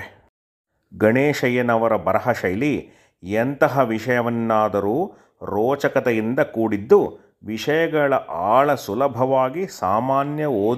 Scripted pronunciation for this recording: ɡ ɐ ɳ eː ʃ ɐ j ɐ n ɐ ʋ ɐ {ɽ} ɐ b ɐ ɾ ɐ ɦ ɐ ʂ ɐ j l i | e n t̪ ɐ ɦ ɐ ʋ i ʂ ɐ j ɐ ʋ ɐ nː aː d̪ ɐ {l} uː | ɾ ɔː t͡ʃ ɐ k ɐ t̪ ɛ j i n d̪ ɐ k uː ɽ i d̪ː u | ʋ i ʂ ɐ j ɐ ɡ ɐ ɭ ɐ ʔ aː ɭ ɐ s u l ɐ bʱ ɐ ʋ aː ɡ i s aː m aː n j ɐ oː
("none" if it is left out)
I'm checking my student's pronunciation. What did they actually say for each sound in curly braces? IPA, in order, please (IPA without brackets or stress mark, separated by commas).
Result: ɾ, ɾ